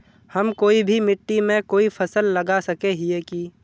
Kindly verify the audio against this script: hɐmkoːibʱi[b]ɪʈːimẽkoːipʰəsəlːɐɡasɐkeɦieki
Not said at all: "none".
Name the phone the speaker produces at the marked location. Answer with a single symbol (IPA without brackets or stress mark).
m